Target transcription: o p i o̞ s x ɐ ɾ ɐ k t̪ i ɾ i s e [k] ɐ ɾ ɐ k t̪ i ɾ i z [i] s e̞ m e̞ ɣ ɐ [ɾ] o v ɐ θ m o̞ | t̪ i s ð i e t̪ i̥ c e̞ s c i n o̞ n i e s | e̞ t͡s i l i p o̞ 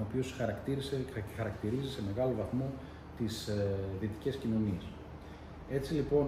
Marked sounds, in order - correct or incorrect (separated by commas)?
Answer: incorrect, correct, incorrect